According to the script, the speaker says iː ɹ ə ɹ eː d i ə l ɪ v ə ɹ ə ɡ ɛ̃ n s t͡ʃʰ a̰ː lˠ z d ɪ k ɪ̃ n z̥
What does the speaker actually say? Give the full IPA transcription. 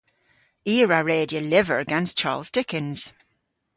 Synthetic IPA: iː ɹ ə ɹ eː d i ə l ɪ v ə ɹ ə ɡ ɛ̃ n s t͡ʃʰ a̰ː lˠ z d ɪ k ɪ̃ n z̥